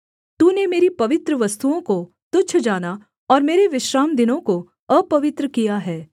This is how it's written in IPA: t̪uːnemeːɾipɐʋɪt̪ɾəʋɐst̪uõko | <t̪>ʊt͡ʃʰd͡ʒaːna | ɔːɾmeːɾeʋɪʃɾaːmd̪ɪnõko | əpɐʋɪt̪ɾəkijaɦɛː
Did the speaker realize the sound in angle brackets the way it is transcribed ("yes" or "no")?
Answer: yes